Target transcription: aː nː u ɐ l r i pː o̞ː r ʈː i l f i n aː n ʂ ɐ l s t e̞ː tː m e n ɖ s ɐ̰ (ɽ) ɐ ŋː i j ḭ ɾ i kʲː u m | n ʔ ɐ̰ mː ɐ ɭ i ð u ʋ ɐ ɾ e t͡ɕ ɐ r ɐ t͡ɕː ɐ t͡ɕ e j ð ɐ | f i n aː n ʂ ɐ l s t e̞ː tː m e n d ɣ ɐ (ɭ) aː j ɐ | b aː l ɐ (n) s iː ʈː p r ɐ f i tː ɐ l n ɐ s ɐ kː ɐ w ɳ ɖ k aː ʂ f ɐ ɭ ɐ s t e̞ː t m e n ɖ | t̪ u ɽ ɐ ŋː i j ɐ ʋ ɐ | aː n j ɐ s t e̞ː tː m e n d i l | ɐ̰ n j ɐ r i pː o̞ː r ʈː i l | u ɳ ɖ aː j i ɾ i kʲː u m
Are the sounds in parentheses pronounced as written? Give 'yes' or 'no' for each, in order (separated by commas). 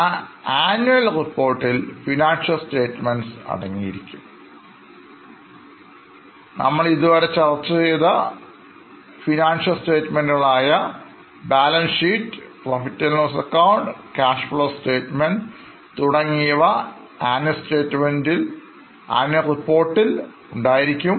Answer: yes, yes, yes